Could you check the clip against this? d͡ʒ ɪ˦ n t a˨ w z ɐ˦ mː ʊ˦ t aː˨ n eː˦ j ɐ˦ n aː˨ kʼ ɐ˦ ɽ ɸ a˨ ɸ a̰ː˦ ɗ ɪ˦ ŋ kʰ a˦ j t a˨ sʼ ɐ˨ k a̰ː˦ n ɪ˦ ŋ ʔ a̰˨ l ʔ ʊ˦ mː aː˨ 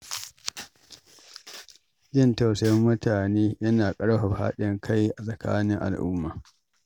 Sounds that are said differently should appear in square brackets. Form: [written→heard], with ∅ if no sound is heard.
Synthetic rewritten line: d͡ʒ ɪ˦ n t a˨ w [z→s] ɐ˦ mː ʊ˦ t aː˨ n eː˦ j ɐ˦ n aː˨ kʼ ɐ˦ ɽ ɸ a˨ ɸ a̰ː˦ ɗ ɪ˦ ŋ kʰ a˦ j [t→ʔ] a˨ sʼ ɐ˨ k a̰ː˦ n ɪ˦ ŋ ʔ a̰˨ l ʔ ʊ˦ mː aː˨